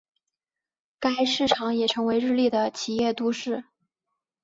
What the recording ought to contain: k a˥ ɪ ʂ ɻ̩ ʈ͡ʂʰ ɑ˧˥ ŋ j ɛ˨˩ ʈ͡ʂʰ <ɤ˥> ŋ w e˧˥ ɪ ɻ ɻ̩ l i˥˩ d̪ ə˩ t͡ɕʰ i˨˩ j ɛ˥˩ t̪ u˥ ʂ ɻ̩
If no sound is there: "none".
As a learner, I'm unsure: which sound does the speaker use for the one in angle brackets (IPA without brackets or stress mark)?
ɤ˧˥